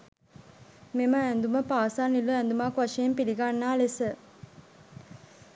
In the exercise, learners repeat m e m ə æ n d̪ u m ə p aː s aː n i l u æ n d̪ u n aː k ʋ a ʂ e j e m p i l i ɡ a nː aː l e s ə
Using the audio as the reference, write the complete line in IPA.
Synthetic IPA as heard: m e m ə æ n d̪ u m ə p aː s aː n i l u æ n d̪ u m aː k ʋ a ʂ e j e m p i l i ɡ a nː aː l e s ə